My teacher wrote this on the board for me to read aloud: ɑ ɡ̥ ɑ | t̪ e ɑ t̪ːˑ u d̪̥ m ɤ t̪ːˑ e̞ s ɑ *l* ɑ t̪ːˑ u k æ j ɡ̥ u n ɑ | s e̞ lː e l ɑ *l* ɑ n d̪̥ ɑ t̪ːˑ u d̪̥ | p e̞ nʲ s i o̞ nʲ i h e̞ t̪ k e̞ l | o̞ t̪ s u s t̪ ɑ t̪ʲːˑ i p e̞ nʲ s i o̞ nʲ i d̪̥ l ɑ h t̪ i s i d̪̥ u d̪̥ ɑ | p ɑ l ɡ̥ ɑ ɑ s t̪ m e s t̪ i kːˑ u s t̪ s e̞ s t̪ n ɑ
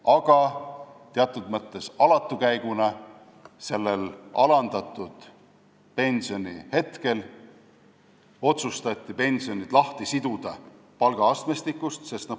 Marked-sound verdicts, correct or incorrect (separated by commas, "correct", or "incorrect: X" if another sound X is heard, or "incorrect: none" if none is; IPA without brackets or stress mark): correct, correct